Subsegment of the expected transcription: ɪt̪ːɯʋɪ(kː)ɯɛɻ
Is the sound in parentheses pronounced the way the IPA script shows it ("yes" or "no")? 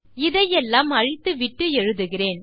no